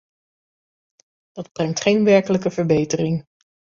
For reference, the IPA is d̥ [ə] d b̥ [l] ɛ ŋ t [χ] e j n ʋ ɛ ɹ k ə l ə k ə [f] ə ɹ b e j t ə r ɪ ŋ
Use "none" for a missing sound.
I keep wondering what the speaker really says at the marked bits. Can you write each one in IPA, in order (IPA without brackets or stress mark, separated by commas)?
ɑ, r, χ, v